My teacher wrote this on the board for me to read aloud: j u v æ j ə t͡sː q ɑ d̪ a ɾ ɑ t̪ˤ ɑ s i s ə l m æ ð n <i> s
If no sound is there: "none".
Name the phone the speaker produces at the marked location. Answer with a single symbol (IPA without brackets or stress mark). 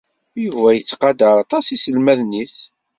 i